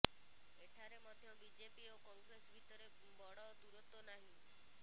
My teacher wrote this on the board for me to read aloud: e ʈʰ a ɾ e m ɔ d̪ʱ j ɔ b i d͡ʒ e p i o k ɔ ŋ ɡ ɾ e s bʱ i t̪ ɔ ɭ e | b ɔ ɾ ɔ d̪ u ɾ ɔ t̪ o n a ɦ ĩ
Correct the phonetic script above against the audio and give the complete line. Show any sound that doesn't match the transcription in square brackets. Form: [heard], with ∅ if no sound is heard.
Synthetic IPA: e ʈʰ a ɾ e m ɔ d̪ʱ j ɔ b i d͡ʒ e p i o k ɔ ŋ ɡ ɾ e s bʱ i t̪ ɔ [ɾ] e | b ɔ [ɽ] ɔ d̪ u ɾ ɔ t̪ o n a ɦ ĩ